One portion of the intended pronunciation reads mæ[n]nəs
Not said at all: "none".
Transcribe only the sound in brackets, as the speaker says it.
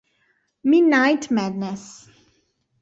d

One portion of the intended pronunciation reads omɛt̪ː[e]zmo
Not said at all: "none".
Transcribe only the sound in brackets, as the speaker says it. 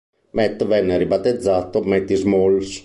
i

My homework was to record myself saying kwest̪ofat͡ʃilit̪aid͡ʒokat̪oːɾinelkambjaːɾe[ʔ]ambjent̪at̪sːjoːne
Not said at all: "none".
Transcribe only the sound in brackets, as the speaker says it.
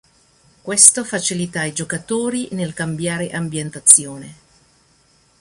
ʔ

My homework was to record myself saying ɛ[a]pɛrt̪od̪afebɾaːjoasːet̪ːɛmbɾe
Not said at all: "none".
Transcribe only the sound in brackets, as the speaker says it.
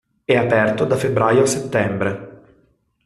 a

